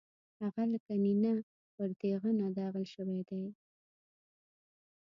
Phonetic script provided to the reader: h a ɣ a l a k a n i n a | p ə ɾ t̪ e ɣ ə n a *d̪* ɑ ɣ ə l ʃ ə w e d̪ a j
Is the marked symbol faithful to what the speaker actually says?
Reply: yes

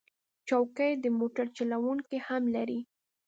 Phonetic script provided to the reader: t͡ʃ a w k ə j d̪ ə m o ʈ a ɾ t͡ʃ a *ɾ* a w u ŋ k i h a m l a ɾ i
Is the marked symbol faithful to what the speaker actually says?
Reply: no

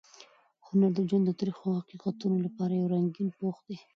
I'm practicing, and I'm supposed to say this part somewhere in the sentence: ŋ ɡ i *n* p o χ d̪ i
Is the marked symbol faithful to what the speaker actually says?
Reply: yes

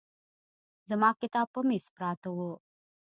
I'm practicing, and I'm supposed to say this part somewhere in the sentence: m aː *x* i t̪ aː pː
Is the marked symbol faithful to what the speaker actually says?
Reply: no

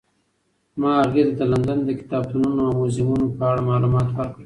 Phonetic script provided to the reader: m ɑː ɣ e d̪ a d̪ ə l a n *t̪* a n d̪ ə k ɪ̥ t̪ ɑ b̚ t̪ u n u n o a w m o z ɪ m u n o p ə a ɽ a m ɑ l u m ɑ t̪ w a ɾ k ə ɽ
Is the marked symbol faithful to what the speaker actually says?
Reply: no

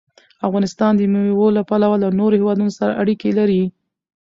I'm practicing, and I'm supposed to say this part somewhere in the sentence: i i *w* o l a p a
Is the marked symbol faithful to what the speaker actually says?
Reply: yes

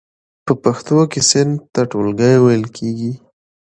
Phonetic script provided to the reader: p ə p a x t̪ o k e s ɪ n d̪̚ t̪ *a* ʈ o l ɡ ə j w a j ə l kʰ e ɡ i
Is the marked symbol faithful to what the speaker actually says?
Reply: yes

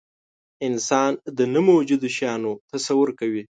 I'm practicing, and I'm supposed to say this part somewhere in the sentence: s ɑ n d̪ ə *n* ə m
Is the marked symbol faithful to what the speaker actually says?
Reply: yes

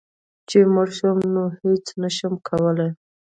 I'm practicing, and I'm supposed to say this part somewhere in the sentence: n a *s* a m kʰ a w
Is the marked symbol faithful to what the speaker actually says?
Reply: no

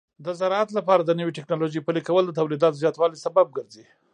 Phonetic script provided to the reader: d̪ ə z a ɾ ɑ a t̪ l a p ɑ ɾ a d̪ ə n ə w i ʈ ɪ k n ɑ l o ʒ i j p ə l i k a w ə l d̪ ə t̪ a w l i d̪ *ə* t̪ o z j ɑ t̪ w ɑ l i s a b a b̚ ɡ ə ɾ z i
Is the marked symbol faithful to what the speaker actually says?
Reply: no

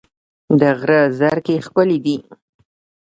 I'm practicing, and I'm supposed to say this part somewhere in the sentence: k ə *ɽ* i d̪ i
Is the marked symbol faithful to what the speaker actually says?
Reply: no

